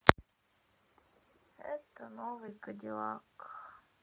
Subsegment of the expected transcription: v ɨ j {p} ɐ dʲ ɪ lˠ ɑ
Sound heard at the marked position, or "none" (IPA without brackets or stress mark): k